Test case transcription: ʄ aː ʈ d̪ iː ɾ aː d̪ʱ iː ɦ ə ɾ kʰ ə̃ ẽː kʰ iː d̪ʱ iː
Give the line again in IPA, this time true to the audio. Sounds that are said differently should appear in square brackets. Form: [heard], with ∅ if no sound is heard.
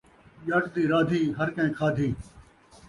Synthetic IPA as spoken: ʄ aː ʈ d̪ iː ɾ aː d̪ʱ iː ɦ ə ɾ [k] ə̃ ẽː kʰ [aː] d̪ʱ iː